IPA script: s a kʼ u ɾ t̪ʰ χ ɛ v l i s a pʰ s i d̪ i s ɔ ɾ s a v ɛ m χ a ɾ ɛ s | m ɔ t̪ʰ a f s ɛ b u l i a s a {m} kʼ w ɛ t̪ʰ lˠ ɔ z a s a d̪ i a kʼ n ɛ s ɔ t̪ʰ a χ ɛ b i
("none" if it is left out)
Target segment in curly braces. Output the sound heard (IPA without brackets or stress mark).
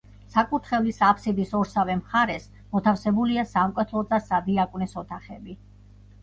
m